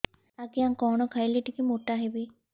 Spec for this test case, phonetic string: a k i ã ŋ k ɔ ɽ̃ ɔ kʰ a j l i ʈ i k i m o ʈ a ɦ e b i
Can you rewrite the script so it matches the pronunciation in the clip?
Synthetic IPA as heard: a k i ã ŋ k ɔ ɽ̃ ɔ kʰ a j l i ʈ i k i m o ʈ a ɦ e b i